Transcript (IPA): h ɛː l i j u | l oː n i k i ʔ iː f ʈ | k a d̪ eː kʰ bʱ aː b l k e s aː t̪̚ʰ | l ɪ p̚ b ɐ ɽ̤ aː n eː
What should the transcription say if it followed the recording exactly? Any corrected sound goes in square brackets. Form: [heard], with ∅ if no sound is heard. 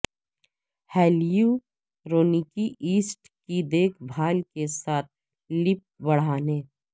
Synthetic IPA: h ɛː l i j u | [ɾ] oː n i k i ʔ iː [s] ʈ | k [i] d̪ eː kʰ bʱ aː [∅] l k e s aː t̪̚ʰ | l ɪ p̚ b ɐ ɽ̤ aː n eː